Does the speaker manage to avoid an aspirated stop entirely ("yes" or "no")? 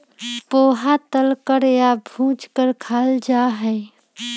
no